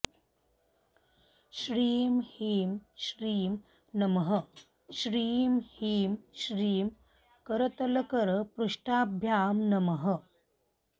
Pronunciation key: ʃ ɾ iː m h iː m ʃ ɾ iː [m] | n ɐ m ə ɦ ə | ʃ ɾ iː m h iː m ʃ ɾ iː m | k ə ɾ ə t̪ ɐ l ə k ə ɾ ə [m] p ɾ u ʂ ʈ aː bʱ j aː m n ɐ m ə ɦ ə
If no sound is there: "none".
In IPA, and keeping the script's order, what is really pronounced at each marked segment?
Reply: m, none

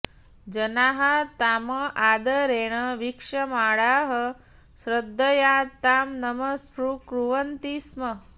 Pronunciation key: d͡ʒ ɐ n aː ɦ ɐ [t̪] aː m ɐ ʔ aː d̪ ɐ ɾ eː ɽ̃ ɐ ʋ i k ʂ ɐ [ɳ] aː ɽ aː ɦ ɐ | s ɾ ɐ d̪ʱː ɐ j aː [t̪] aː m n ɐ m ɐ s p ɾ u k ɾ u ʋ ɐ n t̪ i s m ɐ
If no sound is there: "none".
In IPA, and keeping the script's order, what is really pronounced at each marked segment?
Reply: t̪, m, t̪

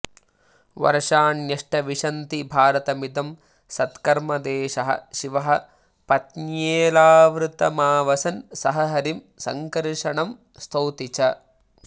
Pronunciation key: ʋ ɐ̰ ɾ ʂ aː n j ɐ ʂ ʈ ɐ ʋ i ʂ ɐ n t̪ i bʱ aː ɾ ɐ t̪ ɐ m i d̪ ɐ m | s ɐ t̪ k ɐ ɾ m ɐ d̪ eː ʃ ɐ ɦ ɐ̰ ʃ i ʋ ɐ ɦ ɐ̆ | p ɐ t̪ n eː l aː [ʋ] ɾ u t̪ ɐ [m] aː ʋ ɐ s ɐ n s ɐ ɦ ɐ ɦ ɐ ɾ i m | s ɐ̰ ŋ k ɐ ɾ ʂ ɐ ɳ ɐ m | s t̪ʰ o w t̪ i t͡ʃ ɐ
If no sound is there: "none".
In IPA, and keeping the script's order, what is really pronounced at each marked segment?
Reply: ʋ, m

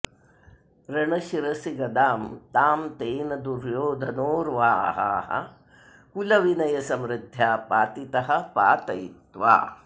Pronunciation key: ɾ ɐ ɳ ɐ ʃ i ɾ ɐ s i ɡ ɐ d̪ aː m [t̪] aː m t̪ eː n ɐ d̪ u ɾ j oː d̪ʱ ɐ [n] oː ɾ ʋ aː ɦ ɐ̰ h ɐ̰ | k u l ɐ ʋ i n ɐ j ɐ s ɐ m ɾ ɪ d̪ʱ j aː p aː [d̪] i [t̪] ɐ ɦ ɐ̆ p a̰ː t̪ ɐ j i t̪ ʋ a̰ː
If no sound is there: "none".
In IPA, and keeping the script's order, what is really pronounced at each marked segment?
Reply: t̪, n, t̪, t̪

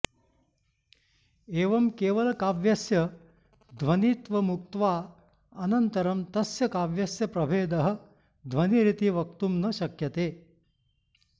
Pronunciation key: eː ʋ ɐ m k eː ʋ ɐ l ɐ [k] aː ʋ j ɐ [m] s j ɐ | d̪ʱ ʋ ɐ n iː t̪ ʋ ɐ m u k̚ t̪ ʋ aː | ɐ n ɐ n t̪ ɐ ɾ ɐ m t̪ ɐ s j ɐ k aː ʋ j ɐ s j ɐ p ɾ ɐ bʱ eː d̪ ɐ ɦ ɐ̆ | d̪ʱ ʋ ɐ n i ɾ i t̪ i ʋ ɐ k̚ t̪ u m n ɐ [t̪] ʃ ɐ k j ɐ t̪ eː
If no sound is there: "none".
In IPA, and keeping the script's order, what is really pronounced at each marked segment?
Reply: k, none, none

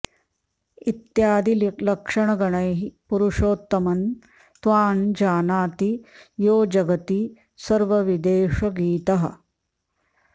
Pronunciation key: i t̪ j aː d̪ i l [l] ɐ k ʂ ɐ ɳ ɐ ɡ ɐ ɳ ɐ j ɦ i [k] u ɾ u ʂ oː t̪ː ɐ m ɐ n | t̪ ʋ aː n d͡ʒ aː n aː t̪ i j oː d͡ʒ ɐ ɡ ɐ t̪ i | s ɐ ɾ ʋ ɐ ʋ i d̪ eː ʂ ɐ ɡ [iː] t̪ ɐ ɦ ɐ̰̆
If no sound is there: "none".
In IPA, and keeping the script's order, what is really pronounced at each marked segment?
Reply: l, p, iː

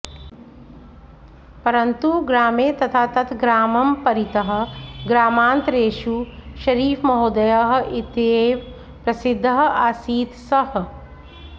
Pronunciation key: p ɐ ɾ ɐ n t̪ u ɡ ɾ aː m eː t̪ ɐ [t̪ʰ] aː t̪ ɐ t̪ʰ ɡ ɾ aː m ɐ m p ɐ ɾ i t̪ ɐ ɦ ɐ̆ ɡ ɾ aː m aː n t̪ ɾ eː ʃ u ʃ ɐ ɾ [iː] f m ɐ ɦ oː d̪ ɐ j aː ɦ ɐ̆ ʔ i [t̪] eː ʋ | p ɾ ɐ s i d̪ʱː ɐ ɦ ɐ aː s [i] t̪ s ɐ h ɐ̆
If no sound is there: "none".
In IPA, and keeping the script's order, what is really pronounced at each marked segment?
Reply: t̪ʰ, iː, t̪, iː

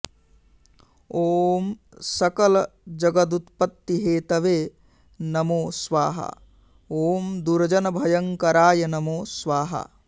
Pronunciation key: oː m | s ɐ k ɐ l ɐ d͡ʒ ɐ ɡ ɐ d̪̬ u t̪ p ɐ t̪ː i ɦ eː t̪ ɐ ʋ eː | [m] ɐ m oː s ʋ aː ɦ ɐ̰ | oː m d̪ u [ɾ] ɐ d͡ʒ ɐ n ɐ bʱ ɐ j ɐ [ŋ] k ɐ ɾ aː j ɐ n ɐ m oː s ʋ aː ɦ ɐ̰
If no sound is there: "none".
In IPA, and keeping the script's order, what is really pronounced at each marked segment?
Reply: n, ɾ, ŋ

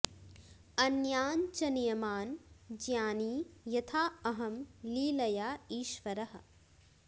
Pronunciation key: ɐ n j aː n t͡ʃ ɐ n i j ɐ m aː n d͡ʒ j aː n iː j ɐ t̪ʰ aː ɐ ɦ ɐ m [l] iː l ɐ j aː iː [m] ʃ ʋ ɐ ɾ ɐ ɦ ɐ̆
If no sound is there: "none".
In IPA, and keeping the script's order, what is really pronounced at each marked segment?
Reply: l, none

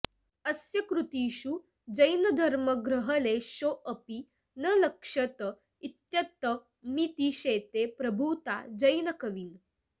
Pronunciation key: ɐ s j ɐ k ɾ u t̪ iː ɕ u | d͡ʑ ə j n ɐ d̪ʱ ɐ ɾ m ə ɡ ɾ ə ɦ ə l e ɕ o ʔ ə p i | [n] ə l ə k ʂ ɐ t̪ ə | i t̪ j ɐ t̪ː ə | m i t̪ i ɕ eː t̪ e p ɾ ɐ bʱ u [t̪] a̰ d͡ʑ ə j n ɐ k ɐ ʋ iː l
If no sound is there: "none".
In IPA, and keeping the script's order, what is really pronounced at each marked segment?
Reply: n, t̪

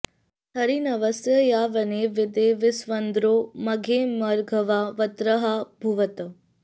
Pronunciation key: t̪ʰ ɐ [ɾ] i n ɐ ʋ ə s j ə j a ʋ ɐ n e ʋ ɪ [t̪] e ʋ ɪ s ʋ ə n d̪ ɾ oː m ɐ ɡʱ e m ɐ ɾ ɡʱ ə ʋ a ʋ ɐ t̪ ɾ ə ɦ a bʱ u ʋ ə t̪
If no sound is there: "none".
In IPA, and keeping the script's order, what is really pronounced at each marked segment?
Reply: ɾ, d̪

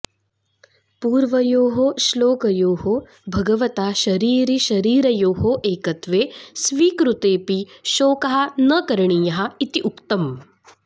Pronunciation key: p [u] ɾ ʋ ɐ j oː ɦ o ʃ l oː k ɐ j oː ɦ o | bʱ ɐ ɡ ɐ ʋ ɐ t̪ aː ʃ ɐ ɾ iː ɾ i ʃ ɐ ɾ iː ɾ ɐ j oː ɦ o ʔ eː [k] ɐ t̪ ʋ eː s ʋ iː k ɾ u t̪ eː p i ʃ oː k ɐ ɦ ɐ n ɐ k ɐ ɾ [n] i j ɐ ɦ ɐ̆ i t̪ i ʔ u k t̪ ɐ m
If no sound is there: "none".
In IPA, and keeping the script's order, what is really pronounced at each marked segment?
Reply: uː, k, ɳ

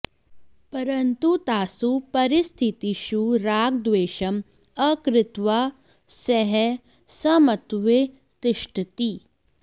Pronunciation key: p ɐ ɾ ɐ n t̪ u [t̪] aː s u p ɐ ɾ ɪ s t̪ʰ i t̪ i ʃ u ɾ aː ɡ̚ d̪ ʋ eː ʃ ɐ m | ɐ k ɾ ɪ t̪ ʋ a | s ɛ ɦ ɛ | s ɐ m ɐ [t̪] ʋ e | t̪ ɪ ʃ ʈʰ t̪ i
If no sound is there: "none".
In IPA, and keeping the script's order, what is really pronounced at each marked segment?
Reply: t̪, t̪

